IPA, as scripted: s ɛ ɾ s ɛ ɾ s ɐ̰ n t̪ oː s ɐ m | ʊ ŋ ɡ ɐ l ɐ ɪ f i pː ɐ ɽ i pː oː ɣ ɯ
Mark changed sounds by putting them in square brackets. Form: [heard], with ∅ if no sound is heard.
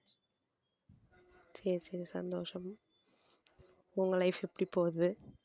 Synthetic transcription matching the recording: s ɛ ɾ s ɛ ɾ s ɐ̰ n [d̪] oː [ʂ] ɐ m | ʊ ŋ ɡ ɐ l ɐ ɪ f [ɛ] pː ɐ ɽ i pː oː [ð] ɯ